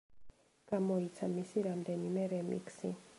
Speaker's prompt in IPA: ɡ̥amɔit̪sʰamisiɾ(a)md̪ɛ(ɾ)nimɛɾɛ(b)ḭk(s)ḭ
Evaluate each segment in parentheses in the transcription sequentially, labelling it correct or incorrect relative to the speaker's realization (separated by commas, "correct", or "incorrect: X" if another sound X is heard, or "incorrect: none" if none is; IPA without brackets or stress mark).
correct, incorrect: none, incorrect: m, correct